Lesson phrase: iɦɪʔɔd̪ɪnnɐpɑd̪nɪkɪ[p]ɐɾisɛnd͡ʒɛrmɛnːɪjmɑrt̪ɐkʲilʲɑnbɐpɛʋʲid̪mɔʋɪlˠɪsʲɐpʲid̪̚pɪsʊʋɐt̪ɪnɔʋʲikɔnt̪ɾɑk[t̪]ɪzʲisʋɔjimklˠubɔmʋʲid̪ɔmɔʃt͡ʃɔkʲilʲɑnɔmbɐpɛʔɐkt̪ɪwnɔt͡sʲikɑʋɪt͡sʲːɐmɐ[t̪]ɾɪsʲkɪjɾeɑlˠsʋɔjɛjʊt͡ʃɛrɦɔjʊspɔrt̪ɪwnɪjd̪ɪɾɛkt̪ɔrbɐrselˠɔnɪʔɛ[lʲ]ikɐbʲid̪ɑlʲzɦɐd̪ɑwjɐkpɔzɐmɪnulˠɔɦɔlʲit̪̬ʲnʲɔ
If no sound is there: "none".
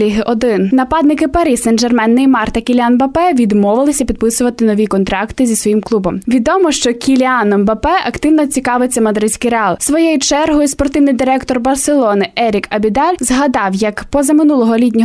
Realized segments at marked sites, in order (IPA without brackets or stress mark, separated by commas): p, t̪, d̪, ɾʲ